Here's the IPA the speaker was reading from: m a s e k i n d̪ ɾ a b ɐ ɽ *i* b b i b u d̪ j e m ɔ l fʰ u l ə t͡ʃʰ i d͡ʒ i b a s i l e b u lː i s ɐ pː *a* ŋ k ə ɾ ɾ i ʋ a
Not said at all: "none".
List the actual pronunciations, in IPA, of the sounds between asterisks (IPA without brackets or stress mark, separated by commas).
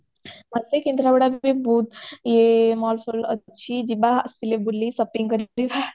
a, i